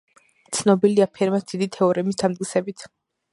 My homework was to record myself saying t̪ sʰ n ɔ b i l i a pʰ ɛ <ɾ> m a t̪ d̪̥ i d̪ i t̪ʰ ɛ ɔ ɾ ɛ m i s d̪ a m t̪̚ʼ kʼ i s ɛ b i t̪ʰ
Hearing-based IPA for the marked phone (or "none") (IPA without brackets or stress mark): ɾ